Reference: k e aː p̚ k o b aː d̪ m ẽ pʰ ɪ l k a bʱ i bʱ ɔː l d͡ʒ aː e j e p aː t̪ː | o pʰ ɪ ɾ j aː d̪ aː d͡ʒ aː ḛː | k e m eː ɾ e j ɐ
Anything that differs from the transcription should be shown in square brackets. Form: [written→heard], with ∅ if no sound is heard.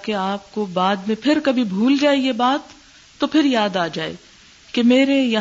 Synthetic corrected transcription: k e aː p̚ k o b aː d̪ m ẽ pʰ ɪ [l→ɾ] k [a→ɐ] bʱ i bʱ [ɔː→uː] l d͡ʒ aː e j e [p→b] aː t̪ː | o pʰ ɪ ɾ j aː d̪ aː d͡ʒ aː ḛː | k e m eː ɾ e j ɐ